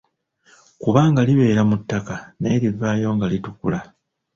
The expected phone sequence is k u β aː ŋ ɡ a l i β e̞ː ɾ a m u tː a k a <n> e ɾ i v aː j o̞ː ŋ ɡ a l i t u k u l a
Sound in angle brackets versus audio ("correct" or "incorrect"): correct